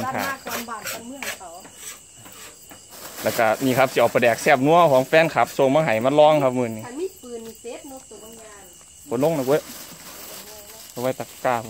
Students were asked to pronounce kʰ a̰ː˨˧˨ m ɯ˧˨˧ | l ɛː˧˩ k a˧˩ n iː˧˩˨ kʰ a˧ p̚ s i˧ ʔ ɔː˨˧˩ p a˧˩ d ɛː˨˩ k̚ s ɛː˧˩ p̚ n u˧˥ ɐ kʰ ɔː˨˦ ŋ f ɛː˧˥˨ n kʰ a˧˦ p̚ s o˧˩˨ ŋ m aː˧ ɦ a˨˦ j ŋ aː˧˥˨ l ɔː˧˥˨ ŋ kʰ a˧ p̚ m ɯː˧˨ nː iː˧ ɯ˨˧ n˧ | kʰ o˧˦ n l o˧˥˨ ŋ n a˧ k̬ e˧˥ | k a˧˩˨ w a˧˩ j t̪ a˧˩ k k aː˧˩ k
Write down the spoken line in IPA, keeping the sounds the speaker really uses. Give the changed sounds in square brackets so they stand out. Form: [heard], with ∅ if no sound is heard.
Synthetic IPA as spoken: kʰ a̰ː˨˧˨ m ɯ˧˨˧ | l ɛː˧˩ k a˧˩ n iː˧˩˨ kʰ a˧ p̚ s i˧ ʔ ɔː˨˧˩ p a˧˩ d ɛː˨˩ k̚ s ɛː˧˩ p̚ n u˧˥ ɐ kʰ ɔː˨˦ ŋ f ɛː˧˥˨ n kʰ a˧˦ p̚ s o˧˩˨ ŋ m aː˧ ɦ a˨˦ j [m] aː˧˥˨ l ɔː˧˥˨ ŋ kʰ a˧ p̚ m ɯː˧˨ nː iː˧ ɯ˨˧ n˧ | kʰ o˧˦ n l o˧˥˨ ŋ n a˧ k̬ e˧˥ | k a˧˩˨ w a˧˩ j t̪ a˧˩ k k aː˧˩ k

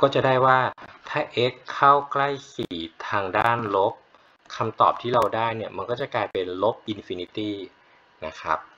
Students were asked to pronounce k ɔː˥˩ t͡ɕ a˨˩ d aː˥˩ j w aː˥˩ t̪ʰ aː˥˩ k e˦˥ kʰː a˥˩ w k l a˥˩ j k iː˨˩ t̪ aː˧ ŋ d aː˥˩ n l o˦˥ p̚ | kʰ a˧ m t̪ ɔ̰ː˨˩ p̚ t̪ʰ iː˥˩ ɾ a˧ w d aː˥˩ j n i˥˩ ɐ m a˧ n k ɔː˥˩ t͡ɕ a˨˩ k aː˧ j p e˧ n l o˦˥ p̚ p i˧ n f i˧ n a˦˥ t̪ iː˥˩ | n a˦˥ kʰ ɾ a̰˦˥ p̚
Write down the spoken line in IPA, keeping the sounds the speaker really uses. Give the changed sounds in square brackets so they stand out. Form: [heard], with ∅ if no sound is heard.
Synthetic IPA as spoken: k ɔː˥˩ t͡ɕ a˨˩ d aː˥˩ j w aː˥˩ t̪ʰ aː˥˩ [ʔ] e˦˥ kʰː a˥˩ w k l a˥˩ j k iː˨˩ [t̪ʰ] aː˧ ŋ d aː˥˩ n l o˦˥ p̚ | kʰ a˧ m t̪ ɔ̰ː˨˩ p̚ t̪ʰ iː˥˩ ɾ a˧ w d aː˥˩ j n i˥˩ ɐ m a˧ n k ɔː˥˩ t͡ɕ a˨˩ k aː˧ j p e˧ n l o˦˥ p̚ [ʔ] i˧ n f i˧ n [i˦˥] t̪ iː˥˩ | n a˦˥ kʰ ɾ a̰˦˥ p̚

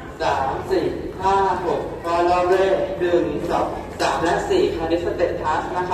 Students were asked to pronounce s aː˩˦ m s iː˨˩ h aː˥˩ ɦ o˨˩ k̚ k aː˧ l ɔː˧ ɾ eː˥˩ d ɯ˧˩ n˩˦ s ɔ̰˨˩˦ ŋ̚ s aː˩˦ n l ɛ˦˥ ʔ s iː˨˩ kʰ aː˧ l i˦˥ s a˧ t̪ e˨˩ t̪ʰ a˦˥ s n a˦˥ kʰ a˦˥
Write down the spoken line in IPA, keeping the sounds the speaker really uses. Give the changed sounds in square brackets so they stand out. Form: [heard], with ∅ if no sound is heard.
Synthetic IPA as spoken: s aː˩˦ m s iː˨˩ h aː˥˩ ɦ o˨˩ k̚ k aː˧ l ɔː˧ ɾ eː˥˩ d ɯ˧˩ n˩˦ s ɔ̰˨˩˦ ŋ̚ s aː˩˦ [m] l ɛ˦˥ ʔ s iː˨˩ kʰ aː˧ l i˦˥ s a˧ t̪ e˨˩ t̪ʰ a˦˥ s n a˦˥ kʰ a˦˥

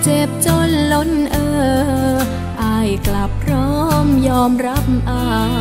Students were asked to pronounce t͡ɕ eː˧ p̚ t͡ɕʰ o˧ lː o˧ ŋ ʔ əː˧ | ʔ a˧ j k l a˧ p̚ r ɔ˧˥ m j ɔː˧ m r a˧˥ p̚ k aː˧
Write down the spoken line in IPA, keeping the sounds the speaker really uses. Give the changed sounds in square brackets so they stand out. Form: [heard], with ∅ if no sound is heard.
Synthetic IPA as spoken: t͡ɕ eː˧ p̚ [t͡ɕ] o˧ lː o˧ [n] ʔ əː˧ | ʔ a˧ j k l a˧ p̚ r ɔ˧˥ m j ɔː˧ m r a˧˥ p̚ [ʔ] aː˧

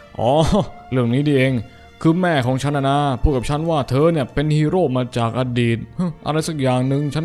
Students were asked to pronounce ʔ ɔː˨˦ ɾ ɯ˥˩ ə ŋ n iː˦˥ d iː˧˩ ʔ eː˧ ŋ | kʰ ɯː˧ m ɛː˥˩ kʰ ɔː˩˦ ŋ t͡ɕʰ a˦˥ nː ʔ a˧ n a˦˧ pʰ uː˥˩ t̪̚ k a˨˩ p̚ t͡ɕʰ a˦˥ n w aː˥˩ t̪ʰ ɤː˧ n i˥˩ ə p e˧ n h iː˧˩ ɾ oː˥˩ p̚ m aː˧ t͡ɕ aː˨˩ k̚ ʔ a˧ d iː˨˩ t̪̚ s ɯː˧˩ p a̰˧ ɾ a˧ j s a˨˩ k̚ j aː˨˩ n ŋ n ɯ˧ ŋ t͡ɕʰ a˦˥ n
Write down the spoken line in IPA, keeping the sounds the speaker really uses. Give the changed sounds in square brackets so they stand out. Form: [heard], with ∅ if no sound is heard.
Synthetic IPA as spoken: ʔ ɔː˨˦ ɾ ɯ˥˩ ə ŋ n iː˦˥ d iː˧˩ ʔ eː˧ ŋ | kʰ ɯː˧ m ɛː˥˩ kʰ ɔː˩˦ ŋ t͡ɕʰ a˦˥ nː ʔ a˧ n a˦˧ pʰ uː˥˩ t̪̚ k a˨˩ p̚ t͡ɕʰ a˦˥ n w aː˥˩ t̪ʰ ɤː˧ n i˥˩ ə p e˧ n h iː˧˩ ɾ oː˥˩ p̚ m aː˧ t͡ɕ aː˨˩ k̚ ʔ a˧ d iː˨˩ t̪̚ [h] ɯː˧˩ [ʔ] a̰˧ ɾ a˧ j s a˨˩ k̚ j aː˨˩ [∅] ŋ n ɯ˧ ŋ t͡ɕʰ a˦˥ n

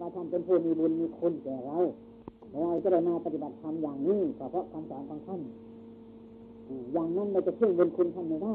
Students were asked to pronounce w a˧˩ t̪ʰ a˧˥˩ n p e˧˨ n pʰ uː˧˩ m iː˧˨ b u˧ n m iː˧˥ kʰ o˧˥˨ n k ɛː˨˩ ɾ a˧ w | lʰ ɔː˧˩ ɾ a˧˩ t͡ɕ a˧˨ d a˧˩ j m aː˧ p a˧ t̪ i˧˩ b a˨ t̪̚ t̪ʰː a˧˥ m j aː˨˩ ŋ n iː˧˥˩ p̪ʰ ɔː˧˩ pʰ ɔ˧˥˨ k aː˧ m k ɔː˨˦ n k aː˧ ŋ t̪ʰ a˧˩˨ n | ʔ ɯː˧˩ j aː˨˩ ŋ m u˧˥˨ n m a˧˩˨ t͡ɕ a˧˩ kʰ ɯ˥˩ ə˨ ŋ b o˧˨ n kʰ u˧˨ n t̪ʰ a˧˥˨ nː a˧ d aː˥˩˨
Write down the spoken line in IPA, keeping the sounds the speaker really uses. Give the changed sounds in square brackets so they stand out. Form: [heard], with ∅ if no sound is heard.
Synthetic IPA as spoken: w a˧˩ t̪ʰ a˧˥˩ n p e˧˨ n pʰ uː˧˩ m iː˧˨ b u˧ n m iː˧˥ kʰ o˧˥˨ n k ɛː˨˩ ɾ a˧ w | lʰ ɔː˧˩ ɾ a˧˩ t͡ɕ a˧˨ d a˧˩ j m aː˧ p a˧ t̪ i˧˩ b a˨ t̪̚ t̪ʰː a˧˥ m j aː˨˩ ŋ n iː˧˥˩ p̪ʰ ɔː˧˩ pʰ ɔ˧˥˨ k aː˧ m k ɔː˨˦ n k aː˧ ŋ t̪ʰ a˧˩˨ n | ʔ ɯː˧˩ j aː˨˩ ŋ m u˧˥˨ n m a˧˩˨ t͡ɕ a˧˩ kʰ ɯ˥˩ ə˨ ŋ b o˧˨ n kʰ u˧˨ n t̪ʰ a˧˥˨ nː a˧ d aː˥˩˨

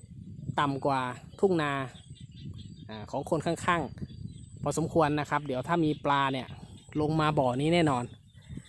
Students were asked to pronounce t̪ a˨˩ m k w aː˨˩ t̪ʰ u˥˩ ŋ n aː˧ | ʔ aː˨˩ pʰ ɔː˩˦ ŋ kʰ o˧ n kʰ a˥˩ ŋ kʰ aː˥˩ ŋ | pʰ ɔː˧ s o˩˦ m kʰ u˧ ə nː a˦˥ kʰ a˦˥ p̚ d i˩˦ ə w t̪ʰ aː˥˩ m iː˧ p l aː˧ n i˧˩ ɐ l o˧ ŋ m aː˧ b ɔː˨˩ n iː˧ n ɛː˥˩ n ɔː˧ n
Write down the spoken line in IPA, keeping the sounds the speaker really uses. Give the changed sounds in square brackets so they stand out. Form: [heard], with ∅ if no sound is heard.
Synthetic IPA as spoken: t̪ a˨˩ m k w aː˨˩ t̪ʰ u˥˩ ŋ n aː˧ | ʔ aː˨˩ [kʰ] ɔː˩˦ ŋ kʰ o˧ n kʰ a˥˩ ŋ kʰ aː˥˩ ŋ | pʰ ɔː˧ s o˩˦ m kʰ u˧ ə nː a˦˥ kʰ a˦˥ p̚ d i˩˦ ə w t̪ʰ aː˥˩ m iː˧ p l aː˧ n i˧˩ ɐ l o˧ ŋ m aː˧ b ɔː˨˩ n [iː˦˥˩] n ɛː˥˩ n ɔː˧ n

